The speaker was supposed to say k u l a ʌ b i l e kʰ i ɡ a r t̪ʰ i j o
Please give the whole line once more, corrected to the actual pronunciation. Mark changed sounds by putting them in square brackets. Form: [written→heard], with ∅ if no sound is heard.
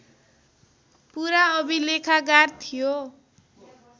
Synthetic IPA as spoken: [k→p] u [l→ɾ] a ʌ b i l e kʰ [i→a] ɡ a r t̪ʰ i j o